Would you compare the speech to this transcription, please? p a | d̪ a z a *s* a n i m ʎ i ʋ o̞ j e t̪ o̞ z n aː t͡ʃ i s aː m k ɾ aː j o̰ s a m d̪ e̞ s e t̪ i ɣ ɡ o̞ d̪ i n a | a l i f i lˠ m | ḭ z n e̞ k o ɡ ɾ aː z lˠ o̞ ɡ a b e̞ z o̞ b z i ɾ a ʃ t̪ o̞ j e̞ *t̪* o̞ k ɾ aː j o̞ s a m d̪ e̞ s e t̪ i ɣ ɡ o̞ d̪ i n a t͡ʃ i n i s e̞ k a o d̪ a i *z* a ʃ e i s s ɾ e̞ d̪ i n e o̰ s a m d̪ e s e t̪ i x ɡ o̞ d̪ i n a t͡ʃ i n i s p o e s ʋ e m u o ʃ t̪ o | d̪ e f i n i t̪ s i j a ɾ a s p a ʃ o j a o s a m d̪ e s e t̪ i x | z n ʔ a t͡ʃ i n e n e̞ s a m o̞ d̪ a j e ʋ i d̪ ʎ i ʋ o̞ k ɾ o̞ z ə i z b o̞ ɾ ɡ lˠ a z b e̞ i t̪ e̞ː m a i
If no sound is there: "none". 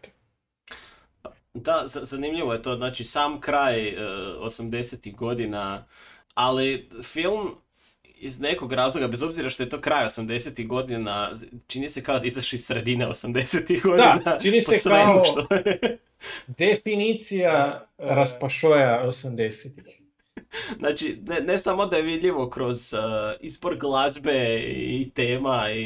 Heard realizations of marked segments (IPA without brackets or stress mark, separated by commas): z, t̪, z